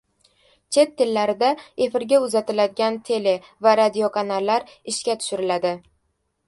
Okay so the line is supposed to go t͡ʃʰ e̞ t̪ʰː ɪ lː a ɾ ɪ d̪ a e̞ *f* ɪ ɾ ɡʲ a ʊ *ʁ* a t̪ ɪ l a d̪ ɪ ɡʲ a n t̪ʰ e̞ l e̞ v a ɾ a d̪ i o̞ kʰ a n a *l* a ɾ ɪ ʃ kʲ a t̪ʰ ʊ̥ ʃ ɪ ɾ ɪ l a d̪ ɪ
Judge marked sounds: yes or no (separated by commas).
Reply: yes, no, no